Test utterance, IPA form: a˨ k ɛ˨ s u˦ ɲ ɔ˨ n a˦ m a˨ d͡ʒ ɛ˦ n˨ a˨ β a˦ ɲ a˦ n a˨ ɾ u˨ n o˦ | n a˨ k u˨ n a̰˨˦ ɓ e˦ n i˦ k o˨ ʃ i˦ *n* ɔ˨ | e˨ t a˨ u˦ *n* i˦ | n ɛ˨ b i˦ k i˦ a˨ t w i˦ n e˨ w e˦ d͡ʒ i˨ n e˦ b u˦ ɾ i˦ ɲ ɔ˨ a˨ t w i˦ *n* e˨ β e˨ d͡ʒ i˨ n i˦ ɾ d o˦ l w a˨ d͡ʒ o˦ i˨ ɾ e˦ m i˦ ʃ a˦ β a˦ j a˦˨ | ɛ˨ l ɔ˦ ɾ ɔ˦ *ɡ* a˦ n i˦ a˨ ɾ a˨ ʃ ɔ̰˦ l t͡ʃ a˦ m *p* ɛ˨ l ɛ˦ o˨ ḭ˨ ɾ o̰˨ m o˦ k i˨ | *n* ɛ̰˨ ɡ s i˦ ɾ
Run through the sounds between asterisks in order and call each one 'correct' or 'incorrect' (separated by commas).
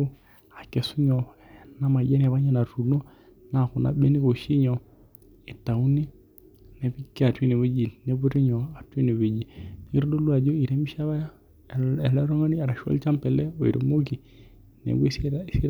incorrect, correct, correct, incorrect, correct, correct